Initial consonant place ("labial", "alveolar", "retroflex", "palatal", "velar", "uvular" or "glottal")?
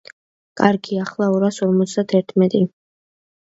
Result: velar